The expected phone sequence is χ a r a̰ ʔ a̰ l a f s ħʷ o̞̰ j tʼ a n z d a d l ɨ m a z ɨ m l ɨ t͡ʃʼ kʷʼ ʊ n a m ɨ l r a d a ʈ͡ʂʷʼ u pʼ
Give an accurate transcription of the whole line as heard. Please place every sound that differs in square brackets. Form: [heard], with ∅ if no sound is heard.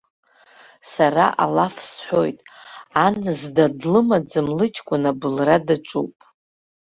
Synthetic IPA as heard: [s] a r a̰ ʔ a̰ l a f s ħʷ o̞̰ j tʼ a n z d a d l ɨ m a [d͡z] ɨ m l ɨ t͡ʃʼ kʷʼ ʊ n a [b] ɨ l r a d a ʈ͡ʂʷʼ u pʼ

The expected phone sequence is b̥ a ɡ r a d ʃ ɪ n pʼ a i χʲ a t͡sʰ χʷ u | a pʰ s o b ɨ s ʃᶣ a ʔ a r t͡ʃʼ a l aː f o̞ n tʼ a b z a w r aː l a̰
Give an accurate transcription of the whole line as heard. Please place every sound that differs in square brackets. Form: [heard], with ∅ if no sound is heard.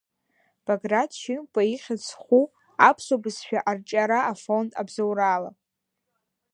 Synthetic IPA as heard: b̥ a ɡ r a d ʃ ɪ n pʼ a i χʲ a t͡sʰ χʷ u | a pʰ s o b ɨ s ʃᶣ a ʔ a r t͡ʃʼ a [ɾ] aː f o̞ n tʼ a b z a w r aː l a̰

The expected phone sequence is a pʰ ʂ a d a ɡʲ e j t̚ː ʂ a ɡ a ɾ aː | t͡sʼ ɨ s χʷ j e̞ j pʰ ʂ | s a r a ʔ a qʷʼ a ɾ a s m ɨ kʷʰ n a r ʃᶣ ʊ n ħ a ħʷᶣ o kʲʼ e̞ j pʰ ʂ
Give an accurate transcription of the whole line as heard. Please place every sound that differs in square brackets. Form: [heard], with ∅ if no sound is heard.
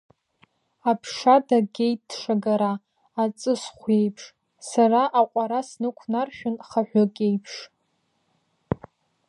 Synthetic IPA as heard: a pʰ ʂ a d a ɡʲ e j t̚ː ʂ a ɡ a ɾ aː | t͡sʼ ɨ s χʷ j e̞ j pʰ ʂ | s a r a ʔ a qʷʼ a ɾ a s [n] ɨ kʷʰ n a r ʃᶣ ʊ n [χ] a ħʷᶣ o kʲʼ e̞ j pʰ ʂ

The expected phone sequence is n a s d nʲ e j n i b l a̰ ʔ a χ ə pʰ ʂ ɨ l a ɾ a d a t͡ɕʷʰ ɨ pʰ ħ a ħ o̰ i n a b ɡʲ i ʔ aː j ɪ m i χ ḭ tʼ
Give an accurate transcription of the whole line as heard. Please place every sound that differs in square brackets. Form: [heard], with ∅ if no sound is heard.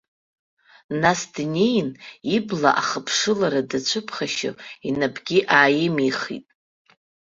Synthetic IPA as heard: n a s d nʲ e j n i b l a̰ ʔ a χ ə pʰ ʂ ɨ l a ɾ a d a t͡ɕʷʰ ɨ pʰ [χ] a [ʃ] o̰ i n a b ɡʲ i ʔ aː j ɪ m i χ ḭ tʼ

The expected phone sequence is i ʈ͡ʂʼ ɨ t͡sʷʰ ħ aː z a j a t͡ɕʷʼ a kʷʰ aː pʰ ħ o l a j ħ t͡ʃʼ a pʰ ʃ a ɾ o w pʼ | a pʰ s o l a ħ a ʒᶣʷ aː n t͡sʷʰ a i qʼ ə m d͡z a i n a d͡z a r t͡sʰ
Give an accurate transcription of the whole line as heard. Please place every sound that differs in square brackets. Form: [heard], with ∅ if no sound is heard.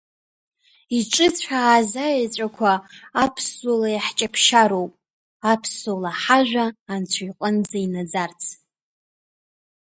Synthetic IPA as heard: i ʈ͡ʂʼ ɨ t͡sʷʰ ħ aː z a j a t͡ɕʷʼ a kʷʰ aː pʰ [s] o l a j ħ t͡ʃʼ a pʰ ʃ a ɾ o w pʼ | a pʰ s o l a ħ a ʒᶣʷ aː n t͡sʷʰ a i qʼ ə [n] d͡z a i n a d͡z a r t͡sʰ

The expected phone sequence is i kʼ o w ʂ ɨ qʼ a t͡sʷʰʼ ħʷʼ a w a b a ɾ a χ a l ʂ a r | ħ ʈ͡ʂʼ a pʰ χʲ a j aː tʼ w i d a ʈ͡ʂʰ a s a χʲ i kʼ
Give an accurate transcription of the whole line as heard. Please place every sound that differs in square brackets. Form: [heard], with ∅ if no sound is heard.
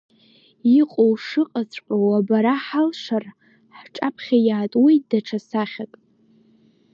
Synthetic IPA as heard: i [qʼ] o w ʂ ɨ qʼ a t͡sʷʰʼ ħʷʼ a w a b a ɾ a [ħ] a l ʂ a r | ħ ʈ͡ʂʼ a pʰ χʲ a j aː tʼ w i d a ʈ͡ʂʰ a s a χʲ [a] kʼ

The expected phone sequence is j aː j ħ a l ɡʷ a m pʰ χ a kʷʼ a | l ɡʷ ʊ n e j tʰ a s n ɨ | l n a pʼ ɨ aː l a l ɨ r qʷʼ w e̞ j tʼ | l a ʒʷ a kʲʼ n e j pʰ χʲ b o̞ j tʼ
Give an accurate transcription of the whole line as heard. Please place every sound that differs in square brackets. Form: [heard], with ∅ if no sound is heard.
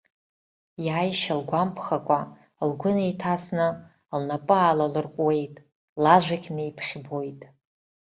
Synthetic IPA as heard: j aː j [ʃ] a l ɡʷ a m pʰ χ a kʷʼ a | l ɡʷ ʊ n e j tʰ a s n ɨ | l n a pʼ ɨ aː l a l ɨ r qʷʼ w e̞ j tʼ | l a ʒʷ a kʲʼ n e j pʰ χʲ b o̞ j tʼ

